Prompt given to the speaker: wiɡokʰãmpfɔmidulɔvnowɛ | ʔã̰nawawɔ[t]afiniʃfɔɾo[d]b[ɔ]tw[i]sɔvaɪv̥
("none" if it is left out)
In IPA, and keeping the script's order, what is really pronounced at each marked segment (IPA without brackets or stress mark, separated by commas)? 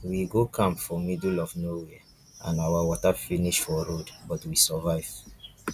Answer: t, d, ɔ, i